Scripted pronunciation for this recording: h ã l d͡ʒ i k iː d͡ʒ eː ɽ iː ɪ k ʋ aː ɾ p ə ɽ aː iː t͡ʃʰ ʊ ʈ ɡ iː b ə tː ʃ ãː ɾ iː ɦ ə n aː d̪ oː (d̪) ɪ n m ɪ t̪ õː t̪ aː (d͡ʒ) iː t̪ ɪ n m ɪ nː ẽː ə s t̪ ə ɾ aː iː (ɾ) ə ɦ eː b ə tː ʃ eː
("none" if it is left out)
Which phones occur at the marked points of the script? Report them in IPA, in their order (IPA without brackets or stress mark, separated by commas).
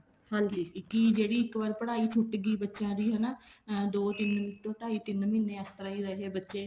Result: t̪, none, ɾ